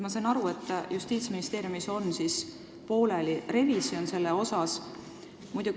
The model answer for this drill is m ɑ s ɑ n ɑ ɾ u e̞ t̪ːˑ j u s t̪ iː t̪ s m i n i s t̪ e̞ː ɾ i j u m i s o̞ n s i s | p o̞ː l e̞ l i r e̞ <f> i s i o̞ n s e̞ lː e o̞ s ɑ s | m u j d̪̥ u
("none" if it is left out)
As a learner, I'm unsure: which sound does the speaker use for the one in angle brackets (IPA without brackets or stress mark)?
v